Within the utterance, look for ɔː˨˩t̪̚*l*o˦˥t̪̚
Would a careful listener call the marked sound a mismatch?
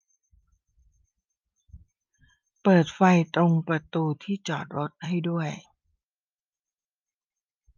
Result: yes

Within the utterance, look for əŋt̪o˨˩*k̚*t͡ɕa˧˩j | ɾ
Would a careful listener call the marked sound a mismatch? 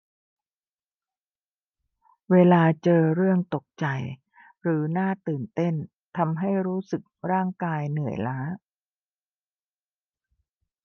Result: no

